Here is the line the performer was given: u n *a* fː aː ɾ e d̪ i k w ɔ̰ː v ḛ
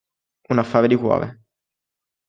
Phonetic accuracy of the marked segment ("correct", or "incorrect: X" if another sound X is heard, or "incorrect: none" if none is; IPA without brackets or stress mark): correct